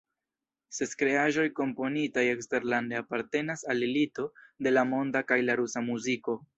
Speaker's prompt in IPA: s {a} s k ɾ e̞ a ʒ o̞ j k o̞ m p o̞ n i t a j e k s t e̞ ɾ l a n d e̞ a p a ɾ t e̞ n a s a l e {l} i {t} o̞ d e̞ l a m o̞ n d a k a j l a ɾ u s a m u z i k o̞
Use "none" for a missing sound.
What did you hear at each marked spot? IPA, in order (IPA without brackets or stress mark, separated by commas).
e, l, t